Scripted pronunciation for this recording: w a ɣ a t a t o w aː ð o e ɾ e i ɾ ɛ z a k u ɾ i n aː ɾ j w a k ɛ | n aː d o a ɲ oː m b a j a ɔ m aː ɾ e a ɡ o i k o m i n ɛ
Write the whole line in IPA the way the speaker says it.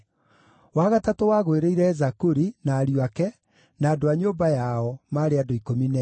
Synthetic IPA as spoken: w a ɣ a t a t o w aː ɣ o e ɾ e i ɾ ɛ z a k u ɾ i n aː ɾ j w a k ɛ | n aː d o a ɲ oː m b a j a ɔ m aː ɾ e a d o i k o m i n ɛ